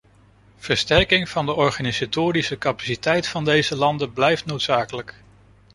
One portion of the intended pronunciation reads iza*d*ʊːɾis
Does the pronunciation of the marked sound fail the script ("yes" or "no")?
yes